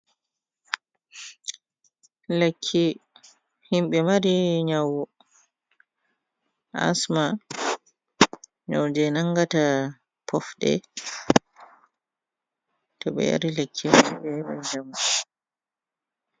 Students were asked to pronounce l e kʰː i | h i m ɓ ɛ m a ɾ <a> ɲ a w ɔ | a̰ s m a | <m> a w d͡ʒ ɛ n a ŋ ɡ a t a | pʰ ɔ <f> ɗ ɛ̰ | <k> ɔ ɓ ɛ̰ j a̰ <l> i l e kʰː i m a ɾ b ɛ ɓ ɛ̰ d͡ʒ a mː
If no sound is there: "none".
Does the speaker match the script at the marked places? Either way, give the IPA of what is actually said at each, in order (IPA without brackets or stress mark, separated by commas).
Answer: i, ɲ, f, t, ɾ